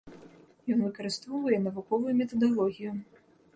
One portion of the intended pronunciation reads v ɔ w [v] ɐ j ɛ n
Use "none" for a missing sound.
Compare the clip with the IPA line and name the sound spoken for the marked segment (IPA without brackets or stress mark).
v